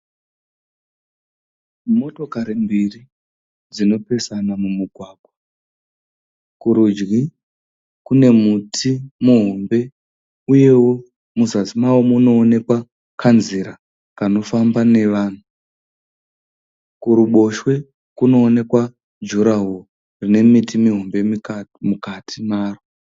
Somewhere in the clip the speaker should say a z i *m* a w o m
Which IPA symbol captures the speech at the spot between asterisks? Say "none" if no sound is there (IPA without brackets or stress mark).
m